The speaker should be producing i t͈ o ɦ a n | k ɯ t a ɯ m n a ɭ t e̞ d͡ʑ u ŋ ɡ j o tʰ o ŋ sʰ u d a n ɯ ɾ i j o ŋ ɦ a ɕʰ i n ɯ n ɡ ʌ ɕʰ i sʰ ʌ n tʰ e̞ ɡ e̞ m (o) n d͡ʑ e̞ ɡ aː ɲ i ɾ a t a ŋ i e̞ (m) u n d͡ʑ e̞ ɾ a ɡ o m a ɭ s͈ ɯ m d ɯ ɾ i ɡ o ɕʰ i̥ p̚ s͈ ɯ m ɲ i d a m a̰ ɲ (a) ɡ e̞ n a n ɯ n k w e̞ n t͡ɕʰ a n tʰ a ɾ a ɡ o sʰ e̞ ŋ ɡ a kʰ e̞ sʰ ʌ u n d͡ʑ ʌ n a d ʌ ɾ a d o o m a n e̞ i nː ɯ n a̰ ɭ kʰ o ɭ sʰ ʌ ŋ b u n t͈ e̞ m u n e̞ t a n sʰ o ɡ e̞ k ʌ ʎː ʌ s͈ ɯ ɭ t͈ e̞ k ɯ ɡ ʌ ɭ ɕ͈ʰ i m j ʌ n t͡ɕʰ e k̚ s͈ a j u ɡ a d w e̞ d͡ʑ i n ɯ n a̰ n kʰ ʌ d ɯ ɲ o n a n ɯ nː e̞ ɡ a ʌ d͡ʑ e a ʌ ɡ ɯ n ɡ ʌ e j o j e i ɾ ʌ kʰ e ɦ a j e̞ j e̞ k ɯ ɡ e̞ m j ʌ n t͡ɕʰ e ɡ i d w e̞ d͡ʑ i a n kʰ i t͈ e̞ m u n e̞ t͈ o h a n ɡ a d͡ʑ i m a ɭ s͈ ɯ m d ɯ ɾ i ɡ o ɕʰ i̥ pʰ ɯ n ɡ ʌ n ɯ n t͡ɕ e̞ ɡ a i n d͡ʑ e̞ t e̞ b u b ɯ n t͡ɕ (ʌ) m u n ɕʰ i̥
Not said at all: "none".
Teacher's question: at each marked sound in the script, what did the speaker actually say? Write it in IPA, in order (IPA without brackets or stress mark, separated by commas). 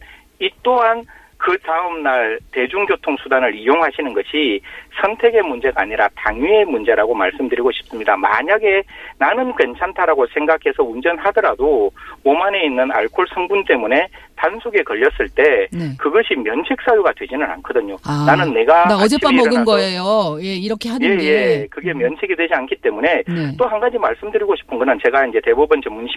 u, m, a, ʌ